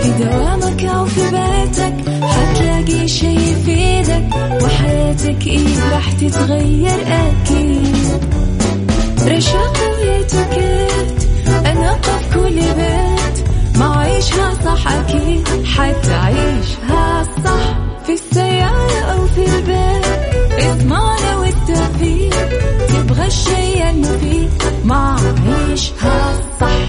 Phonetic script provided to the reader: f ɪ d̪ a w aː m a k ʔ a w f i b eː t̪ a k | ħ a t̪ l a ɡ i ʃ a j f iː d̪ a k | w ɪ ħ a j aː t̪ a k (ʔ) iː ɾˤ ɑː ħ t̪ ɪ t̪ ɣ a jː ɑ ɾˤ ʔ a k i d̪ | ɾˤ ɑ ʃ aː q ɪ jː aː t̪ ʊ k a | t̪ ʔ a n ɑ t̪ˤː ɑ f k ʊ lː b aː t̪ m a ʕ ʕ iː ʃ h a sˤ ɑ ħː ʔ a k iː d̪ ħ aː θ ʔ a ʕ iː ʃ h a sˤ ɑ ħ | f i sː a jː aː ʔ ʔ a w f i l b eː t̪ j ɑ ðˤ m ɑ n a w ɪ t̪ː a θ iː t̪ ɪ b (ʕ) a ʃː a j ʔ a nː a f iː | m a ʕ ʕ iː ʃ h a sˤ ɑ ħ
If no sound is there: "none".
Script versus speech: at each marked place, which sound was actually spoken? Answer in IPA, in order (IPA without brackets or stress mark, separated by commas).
ʔ, ɣ